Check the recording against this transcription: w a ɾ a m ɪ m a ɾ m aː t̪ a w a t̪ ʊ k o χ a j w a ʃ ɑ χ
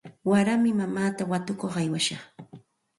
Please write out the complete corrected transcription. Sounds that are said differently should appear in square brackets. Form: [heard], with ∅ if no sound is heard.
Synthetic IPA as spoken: w a ɾ a m ɪ m a [∅] m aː t̪ a w a t̪ ʊ k o χ a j w a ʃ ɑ χ